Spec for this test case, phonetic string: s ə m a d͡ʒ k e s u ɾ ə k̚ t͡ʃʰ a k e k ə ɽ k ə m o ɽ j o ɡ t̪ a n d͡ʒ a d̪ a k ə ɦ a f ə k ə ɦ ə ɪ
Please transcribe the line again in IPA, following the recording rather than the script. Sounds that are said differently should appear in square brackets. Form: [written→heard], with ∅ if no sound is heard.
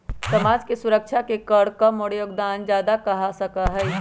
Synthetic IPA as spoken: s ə m a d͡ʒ k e s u ɾ ə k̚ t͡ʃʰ a k e k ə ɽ k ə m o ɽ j o ɡ [t̪→d̪] a n d͡ʒ a d̪ a k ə ɦ a [f→s] ə k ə ɦ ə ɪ